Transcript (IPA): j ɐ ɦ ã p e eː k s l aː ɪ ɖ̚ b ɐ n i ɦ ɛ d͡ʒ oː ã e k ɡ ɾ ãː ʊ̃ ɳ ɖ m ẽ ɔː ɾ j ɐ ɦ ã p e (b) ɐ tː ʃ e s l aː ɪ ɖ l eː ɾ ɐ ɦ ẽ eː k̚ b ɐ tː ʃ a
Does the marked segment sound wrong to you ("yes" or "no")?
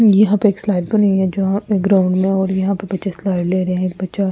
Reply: no